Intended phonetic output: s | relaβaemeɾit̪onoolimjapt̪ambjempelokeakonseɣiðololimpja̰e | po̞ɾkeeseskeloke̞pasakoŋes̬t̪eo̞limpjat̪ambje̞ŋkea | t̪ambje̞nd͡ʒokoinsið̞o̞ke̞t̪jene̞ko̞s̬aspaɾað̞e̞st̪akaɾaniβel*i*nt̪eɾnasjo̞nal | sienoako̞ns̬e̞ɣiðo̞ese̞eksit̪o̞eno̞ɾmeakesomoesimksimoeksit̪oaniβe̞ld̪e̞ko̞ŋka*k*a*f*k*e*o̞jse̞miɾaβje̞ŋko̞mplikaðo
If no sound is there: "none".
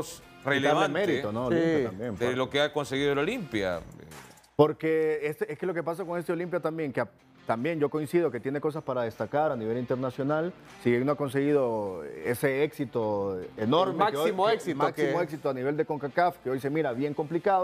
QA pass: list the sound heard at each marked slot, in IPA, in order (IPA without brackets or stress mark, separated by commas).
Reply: i, k, f, e